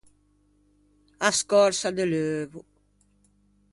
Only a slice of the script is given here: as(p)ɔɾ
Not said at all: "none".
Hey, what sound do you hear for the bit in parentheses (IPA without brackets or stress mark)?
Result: k